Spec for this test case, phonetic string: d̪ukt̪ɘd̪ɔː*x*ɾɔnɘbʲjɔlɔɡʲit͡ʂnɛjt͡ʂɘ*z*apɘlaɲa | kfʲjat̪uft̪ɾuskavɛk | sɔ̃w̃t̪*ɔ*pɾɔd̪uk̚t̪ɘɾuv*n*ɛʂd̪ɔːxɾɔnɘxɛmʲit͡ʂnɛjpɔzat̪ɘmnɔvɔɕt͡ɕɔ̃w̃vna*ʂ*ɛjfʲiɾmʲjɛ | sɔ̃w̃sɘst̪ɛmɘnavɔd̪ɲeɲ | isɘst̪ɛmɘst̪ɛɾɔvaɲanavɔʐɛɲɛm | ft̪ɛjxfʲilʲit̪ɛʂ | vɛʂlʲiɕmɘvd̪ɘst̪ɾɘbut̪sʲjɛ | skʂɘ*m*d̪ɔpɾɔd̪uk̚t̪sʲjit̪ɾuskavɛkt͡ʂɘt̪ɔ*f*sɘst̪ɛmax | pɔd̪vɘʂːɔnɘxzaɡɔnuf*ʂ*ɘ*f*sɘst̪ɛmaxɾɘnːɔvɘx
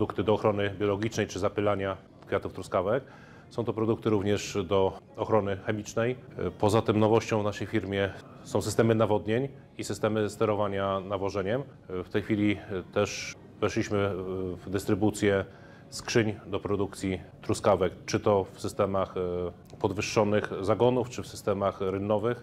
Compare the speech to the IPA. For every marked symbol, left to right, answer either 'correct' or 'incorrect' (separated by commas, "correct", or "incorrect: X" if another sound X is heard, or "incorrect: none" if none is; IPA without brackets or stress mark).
correct, correct, correct, incorrect: ɲ, correct, incorrect: ɲ, correct, incorrect: t͡ʂ, correct